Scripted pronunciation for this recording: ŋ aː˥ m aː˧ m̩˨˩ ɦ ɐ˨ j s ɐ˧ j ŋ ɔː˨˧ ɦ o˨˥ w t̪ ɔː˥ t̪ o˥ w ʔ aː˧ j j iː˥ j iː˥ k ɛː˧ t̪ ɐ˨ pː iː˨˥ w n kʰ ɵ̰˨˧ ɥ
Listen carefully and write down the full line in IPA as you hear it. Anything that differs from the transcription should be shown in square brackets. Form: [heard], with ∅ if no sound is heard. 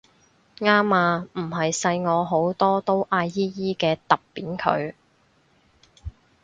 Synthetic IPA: ŋ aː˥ m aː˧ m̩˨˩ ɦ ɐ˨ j s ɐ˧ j ŋ ɔː˨˧ ɦ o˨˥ w t̪ ɔː˥ t̪ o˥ w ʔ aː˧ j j iː˥ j iː˥ k ɛː˧ t̪ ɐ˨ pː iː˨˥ [∅] n kʰ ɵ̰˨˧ ɥ